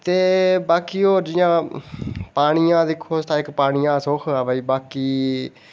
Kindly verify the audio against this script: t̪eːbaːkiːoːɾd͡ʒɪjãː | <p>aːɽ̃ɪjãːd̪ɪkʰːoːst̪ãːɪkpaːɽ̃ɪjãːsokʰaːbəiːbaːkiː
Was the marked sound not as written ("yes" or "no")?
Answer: no